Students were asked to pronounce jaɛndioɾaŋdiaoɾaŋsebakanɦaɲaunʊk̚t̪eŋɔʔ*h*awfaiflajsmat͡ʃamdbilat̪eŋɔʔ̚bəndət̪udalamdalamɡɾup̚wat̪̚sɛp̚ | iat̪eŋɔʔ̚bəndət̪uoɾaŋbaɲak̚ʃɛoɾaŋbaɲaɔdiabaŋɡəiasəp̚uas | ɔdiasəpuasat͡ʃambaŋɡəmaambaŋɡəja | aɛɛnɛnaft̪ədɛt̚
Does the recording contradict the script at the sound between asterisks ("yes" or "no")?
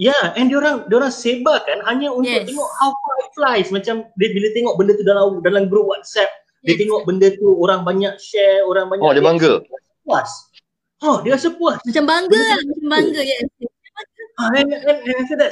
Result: no